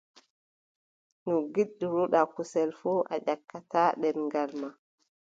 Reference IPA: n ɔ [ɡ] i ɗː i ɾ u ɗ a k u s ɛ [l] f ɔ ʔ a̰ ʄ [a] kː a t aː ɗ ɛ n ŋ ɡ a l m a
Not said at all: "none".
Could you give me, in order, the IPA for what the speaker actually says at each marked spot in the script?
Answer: ɡ, l, a

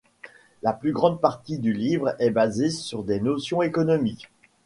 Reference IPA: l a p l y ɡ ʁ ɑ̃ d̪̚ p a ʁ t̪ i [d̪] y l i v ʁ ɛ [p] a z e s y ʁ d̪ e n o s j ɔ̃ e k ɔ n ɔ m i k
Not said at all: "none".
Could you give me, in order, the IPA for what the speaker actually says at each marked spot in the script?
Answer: d̪, b

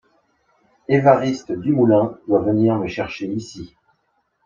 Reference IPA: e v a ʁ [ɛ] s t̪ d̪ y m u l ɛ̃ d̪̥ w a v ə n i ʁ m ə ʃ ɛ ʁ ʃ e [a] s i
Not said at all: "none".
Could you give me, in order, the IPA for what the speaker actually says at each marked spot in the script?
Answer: i, i

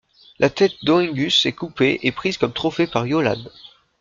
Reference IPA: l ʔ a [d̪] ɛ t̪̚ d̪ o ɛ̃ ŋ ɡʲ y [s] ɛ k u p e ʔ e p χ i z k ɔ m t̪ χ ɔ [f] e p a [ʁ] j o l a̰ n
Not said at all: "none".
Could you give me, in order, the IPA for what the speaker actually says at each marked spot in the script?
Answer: t̪, s, f, ʁ

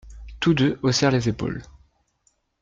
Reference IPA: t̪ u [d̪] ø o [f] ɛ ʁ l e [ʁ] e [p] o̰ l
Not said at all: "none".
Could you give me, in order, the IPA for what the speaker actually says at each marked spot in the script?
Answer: d̪, s, z, p

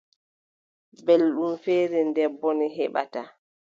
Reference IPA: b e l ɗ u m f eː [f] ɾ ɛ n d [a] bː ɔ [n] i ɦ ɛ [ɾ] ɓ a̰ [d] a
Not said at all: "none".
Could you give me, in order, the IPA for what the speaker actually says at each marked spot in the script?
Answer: none, ɛ, n, none, t

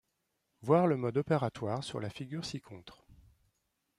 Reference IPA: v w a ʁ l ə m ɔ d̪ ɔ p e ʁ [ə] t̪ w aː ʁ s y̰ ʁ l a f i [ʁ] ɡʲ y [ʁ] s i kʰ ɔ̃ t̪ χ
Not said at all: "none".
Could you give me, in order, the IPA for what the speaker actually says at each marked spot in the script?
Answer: a, none, ʁ

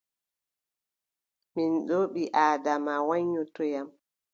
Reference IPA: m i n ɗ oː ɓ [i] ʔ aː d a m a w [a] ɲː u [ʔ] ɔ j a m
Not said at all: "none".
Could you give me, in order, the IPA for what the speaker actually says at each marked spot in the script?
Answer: i, a, t

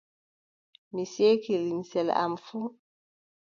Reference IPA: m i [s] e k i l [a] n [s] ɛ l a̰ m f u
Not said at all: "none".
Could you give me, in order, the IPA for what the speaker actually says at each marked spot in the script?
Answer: s, i, s

